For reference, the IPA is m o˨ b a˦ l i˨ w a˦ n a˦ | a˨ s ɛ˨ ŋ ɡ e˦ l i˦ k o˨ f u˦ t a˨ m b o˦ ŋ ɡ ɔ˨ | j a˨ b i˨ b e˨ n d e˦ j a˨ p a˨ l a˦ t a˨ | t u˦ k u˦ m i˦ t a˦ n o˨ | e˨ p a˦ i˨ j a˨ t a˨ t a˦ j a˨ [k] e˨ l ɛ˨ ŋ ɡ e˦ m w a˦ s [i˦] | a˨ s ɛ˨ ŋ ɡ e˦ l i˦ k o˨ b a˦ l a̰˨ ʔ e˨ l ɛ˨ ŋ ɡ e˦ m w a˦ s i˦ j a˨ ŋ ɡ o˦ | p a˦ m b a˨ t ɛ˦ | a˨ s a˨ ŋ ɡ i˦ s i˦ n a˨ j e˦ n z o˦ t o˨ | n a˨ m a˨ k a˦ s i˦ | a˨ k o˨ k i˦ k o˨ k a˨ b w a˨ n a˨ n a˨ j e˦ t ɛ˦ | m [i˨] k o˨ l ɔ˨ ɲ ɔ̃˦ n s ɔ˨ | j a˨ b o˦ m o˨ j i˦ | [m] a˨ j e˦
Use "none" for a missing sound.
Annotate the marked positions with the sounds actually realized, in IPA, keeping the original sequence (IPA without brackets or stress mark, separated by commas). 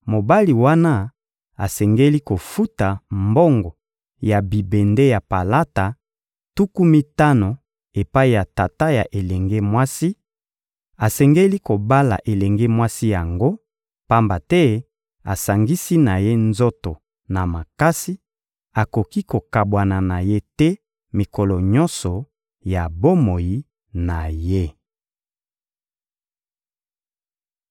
ʔ, i˦, i˨, n